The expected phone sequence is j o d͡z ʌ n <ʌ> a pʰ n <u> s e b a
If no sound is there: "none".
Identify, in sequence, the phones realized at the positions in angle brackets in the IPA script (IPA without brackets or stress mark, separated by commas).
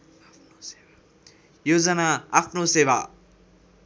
a, o